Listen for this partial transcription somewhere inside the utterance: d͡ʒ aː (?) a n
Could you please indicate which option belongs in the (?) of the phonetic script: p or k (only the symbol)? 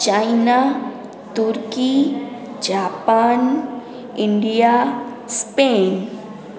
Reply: p